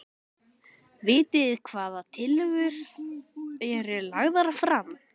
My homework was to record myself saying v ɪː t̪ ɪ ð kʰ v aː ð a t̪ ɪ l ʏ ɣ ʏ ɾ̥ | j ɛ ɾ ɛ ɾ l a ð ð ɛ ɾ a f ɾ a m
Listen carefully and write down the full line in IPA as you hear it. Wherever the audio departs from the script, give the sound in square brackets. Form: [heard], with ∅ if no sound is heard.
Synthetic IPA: v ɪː t̪ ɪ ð kʰ v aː ð a [t̪ʰ] ɪ l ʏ ɣ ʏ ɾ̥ | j ɛ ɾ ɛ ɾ l a [ɣ] ð [a] ɾ a f ɾ a m